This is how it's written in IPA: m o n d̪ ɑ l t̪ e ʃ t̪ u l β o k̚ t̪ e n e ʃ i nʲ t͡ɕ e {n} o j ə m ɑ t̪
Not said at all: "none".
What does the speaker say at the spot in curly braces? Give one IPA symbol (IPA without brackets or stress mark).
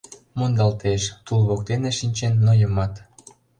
nː